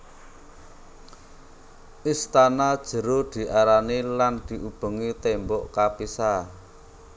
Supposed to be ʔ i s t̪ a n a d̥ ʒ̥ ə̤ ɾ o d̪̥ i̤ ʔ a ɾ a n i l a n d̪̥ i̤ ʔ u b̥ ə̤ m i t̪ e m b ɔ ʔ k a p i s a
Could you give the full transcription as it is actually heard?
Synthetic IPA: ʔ i s t̪ a n a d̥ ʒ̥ ə̤ ɾ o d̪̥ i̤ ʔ a ɾ a n i l a n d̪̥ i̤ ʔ u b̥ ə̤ ŋ i t̪ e m b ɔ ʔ k a p i s a

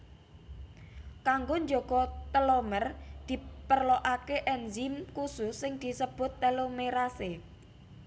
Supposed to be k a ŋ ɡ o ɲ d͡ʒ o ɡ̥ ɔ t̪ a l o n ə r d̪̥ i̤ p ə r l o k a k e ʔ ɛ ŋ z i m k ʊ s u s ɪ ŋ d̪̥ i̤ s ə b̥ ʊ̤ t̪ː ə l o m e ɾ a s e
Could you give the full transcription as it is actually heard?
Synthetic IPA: k a ŋ ɡ o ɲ d͡ʒ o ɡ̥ ɔ t̪ ə l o m ə r d̪̥ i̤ p ə r l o ʔ a k e ʔ ɛ n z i m k u s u s ɪ ŋ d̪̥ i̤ s ə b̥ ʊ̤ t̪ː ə l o m e ɾ a s e

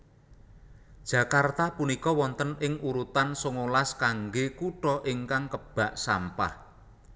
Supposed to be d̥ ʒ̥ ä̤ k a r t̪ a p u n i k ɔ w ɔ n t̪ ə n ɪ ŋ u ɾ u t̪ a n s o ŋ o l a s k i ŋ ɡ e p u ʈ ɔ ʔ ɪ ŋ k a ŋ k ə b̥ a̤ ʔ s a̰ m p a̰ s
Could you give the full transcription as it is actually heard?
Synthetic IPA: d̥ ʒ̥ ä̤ k a r t̪ a p u n i k ɔ w ɔ n t̪ ə n ɪ ŋ u ɾ u t̪ a n s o ŋ o l a s k a ŋ ɡ e k u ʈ ɔ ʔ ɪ ŋ k a ŋ k ə b̥ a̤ ʔ s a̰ m p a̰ h

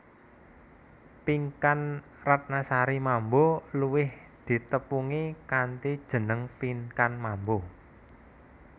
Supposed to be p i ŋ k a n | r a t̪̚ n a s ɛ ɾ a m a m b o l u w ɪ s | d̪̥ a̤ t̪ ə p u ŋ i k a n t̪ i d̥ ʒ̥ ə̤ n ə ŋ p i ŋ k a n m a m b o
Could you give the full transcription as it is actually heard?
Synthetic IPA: p i ŋ k a n | r a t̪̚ n a s a ɾ i m a m b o l u w ɪ h | d̪̥ i̤ t̪ ə p u ŋ i k a n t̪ i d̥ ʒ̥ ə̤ n ə ŋ p i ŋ k a n m a m b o

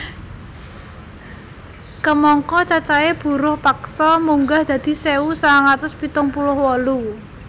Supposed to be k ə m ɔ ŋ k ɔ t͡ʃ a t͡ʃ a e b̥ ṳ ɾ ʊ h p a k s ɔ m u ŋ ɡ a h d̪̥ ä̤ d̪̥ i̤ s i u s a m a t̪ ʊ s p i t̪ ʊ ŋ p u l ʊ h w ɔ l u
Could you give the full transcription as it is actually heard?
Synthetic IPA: k ə m ɔ ŋ k ɔ t͡ʃ a t͡ʃ a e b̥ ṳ ɾ ʊ h p a k s ɔ m u ŋ ɡ a h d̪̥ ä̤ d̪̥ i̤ s e u s a ŋ a t̪ ʊ s p i t̪ ʊ ŋ p u l ʊ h w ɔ l u

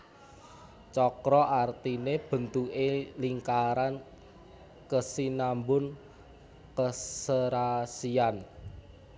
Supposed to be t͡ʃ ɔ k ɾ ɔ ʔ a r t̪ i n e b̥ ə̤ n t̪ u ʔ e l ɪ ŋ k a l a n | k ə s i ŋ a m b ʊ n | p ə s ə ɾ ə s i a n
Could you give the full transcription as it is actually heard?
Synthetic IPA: t͡ʃ ɔ k ɾ ɔ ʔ a r t̪ i n e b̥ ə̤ n t̪ u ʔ e l i ŋ k a ɾ a n | k ə s i n a m b ʊ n | k ə s ə ɾ a s i a n

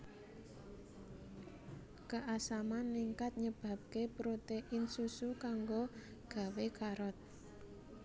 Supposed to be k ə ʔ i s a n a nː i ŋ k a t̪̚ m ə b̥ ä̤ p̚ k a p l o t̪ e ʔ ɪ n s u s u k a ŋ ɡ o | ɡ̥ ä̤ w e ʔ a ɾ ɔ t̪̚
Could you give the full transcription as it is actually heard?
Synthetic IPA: k ə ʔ a s a m a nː i ŋ k a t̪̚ ɲ ə b̥ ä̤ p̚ k e p ɾ o t̪ e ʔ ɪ n s u s u k a ŋ ɡ o | ɡ̥ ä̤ w e k a ɾ ɔ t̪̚

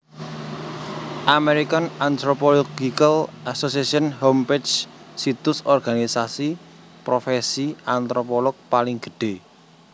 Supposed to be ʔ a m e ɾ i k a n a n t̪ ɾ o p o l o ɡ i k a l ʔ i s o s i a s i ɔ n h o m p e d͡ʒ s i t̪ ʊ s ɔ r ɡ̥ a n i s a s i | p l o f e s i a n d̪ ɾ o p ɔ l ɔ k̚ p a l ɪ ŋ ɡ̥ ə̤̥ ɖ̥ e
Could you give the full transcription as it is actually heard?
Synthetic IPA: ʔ a m e ɾ i k a n a n t̪ ɾ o p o l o ɡ i k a l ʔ a s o s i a s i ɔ n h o m p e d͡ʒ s i t̪ ʊ s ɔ r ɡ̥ a n i s a s i | p ɾ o f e s i a n t̪ ɾ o p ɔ l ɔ k̚ p a l ɪ ŋ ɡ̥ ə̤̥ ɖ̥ e

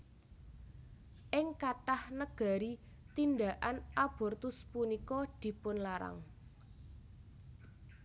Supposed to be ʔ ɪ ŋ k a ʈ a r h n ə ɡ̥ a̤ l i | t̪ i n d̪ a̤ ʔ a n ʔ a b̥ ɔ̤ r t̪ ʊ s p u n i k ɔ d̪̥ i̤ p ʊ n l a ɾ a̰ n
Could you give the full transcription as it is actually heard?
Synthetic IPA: ʔ ɪ ŋ k a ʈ a h n ə ɡ̥ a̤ ɾ i | t̪ i n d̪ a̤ ʔ a n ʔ a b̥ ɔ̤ r t̪ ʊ s p u n i k ɔ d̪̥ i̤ p ʊ n l a ɾ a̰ ŋ

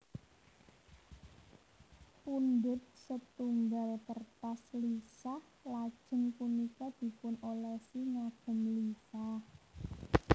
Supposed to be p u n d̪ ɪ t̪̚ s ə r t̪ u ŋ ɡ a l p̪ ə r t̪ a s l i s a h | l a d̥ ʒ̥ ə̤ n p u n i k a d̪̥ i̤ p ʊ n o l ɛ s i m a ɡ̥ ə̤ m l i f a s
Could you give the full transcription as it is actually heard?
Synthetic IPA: p u n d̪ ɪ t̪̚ s ə t̪ u ŋ ɡ a l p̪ ə r t̪ a s l i s a h | l a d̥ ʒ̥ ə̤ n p u n i k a d̪̥ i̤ p ʊ n o l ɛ s i ŋ a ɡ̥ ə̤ m l i s a h

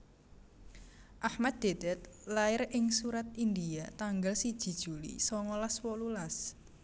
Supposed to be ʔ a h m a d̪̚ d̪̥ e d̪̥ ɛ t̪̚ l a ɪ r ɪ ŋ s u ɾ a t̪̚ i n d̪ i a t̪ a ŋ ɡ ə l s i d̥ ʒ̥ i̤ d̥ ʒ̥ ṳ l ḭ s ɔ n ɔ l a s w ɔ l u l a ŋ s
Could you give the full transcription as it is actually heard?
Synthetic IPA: ʔ a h m a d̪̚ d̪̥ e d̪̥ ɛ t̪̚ l a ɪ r ɪ ŋ s u ɾ a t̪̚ i n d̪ i a t̪ a ŋ ɡ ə l s i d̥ ʒ̥ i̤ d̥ ʒ̥ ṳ l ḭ s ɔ ŋ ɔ l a s w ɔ l u l a s

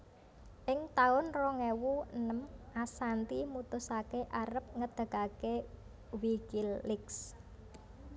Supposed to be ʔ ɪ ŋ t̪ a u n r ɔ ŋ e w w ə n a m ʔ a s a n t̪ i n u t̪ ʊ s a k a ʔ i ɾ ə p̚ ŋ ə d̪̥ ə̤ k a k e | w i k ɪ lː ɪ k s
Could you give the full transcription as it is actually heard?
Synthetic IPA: ʔ ɪ ŋ t̪ a ʊ n r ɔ ŋ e w u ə n ə m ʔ a s a n t̪ i m u t̪ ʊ s a k e ʔ a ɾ ə p̚ ŋ ə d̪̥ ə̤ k a k e | w i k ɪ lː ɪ k s

